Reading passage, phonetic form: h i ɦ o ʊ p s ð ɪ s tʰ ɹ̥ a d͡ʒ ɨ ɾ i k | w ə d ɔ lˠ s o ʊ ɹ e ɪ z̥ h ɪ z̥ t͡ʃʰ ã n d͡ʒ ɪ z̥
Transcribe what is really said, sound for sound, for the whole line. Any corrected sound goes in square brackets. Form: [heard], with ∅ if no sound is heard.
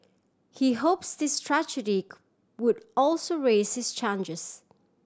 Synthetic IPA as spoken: h i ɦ o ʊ p s ð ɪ s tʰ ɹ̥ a d͡ʒ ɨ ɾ i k | w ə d ɔ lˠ s o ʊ ɹ e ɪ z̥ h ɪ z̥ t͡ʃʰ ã n d͡ʒ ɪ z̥